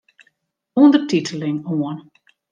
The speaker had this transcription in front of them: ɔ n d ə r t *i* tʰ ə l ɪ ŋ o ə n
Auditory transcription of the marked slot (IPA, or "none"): i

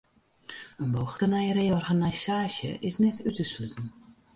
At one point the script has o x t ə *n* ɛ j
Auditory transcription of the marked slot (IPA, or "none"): n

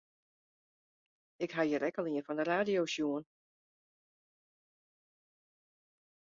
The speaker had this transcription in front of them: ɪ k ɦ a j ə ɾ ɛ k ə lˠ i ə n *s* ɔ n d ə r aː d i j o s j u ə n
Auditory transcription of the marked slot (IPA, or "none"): f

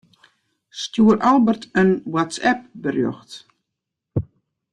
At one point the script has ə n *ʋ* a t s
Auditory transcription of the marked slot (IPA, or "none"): w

